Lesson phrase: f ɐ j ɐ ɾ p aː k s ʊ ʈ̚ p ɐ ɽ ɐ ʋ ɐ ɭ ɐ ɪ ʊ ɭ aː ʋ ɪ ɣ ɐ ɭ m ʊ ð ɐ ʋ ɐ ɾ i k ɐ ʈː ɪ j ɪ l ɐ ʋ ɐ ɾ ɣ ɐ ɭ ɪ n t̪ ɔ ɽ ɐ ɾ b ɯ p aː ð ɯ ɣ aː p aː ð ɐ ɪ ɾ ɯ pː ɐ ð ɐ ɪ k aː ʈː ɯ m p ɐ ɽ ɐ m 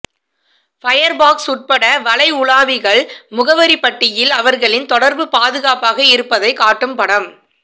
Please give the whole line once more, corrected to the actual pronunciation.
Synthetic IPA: f ɐ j ɐ ɾ b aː k s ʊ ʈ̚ p ɐ ɽ ɐ ʋ ɐ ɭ ɐ ɪ ʊ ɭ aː ʋ ɪ ɣ ɐ ɭ m ʊ ɣ ɐ ʋ ɐ ɾ i p ɐ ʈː ɪ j ɪ l ɐ ʋ ɐ ɾ ɣ ɐ ɭ ɪ n t̪ ɔ ɽ ɐ ɾ b ɯ p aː ð ɯ ɣ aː p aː ɣ ɐ ɪ ɾ ɯ pː ɐ ð ɐ ɪ k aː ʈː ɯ m p ɐ ɽ ɐ m